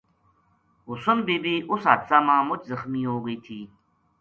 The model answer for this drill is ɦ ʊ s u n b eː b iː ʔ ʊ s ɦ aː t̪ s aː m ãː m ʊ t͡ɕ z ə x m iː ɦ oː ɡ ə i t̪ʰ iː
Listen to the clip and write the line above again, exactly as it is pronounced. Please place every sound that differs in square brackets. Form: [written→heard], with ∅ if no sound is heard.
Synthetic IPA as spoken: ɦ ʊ s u n b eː b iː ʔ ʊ s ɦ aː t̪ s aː m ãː m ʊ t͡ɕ z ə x m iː ɦ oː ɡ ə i t̪ʰ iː